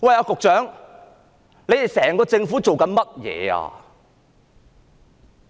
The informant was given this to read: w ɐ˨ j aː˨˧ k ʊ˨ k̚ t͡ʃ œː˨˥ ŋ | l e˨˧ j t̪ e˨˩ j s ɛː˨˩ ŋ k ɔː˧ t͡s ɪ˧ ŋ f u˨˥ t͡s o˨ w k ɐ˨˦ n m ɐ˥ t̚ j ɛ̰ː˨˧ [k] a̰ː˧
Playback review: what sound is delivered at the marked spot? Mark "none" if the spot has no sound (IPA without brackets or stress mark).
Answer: none